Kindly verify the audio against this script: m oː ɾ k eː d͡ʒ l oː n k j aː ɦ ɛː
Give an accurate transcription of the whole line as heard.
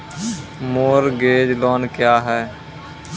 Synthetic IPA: m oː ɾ ɡ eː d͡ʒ l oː n k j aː ɦ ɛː